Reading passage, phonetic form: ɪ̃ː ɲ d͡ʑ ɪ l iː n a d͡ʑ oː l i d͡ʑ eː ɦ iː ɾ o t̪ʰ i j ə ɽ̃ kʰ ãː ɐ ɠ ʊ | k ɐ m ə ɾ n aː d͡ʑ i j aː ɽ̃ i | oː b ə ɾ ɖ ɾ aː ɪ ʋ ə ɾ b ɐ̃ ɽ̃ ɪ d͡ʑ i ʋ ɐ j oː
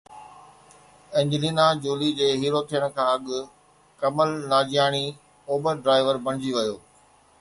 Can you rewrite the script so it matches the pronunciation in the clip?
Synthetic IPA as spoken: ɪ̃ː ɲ d͡ʑ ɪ l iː n a d͡ʑ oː l i d͡ʑ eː ɦ iː ɾ o t̪ʰ i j ə ɽ̃ kʰ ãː ɐ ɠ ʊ | k ɐ m ə l n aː d͡ʑ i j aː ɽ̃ i | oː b ə ɾ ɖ ɾ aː ɪ ʋ ə ɾ b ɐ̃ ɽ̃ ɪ d͡ʑ i ʋ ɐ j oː